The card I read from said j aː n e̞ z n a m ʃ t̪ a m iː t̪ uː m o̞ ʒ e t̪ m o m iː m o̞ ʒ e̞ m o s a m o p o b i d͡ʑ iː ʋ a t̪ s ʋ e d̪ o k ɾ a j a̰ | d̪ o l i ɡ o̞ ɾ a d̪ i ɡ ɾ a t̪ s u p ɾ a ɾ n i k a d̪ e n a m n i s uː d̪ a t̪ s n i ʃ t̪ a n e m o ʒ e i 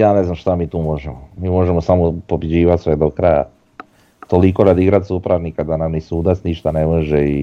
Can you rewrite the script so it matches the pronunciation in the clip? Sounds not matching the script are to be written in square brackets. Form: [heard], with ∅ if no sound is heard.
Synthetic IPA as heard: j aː n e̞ z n a m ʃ t̪ a m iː t̪ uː m o̞ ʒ e [∅] m o m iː m o̞ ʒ e̞ m o s a m o p o b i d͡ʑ iː ʋ a t̪ s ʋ e d̪ o k ɾ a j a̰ | [t̪] o l i [k] o̞ ɾ a d̪ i ɡ ɾ a t̪ s u p ɾ a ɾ n i k a d̪ [a] n a m n i s uː d̪ a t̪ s n i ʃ t̪ a n e m o ʒ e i